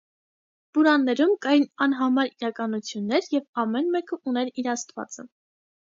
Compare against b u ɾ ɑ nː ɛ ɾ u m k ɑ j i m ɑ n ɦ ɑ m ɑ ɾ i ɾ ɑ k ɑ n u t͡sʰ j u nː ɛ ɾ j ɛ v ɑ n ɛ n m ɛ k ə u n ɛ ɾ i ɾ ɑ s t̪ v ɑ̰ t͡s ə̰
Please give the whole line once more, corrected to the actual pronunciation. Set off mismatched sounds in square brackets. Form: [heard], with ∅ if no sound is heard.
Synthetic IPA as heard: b u ɾ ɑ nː ɛ ɾ u m k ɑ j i [n] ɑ n ɦ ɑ m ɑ ɾ i ɾ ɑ k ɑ n u t͡sʰ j u nː ɛ ɾ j ɛ v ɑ [m] ɛ n m ɛ k ə u n ɛ ɾ i ɾ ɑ s t̪ v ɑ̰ t͡s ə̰